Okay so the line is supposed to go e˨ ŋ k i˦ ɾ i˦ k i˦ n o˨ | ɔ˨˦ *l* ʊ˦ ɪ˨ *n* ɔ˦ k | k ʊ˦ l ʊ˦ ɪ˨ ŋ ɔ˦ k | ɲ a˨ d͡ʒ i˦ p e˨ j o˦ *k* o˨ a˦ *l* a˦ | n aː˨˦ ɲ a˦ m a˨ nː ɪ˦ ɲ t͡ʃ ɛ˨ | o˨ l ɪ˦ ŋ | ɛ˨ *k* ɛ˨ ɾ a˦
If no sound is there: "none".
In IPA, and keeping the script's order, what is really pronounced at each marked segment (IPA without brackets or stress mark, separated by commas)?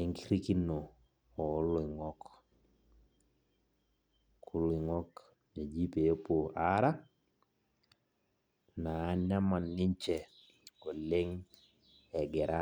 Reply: l, ŋ, p, ɾ, ɡ